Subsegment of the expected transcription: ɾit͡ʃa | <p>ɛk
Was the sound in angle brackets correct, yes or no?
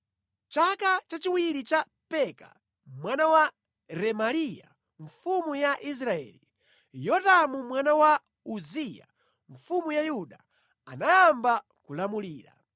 yes